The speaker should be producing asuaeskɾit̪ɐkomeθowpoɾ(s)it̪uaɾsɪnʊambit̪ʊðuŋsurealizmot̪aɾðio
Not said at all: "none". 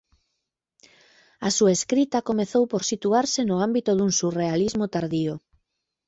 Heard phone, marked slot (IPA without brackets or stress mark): s